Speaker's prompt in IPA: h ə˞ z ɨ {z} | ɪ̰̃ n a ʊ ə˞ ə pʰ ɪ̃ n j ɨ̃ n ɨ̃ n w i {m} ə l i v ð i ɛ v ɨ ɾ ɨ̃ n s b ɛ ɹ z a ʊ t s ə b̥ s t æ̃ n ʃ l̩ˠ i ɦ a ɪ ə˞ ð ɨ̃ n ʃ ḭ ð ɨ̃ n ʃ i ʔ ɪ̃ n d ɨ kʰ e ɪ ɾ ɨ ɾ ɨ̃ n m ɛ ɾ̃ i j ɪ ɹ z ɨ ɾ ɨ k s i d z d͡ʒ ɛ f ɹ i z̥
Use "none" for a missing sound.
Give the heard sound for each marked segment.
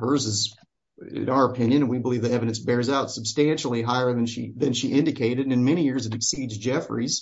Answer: z, b

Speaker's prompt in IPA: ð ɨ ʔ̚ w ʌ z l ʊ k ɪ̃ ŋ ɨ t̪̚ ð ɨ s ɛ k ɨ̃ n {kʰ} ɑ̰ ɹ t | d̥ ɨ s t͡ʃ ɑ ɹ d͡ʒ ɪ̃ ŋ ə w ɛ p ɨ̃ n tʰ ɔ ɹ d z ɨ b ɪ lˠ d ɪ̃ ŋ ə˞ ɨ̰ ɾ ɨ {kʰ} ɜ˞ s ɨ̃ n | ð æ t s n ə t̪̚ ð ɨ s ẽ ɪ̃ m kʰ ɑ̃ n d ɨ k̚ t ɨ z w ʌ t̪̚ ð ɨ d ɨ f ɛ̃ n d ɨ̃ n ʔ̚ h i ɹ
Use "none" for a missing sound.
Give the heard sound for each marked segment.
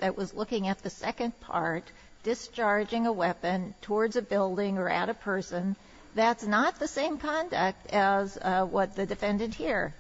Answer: pʰ, pʰ

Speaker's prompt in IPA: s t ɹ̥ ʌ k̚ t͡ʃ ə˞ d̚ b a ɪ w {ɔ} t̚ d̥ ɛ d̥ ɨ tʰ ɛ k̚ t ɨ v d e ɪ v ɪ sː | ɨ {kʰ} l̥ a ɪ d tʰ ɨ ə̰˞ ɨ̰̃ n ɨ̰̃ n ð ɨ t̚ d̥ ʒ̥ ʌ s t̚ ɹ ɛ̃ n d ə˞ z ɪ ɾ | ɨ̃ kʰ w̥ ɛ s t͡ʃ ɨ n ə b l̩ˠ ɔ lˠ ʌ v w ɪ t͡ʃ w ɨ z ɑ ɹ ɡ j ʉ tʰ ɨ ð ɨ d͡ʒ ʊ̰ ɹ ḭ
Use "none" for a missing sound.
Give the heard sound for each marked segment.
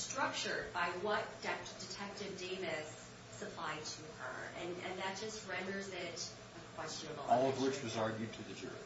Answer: ʌ, pʰ

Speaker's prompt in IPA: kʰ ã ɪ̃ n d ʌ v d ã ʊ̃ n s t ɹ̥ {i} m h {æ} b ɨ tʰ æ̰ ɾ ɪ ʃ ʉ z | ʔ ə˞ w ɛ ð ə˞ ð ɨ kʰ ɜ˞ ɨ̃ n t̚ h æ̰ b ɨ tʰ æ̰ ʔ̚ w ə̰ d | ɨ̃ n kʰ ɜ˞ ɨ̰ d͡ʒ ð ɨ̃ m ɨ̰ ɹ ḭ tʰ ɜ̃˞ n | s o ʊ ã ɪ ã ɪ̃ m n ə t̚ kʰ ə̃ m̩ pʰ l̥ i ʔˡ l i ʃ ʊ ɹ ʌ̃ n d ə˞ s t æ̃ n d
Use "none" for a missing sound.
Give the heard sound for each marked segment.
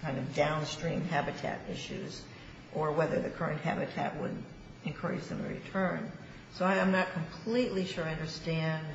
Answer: ĩ, æ

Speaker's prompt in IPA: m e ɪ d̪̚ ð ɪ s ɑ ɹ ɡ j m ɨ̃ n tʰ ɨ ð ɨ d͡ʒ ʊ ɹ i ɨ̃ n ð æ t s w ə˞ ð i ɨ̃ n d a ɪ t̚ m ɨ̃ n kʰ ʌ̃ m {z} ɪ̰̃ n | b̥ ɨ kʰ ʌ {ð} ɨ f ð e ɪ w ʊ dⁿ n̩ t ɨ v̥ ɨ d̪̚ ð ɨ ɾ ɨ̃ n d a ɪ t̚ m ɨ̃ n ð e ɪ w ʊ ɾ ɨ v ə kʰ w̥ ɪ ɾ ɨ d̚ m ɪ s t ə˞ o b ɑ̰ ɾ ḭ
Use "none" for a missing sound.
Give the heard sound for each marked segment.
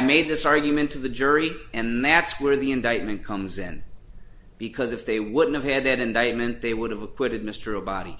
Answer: z, z

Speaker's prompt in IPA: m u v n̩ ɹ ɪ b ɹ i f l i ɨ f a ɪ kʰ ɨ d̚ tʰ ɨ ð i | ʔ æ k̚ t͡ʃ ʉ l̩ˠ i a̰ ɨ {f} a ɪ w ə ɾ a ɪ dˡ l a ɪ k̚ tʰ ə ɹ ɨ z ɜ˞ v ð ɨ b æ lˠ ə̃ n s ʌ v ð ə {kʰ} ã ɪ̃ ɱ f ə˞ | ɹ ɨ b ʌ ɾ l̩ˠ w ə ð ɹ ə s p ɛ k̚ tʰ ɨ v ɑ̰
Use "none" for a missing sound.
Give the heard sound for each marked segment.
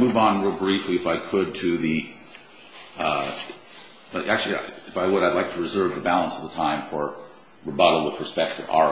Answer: f, tʰ

